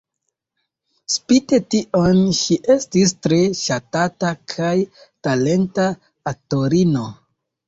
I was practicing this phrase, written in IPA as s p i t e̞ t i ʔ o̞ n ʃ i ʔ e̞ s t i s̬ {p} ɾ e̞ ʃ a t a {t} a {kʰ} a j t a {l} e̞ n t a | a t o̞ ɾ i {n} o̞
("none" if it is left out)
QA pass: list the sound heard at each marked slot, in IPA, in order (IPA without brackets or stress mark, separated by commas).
t, t, kʰ, l, n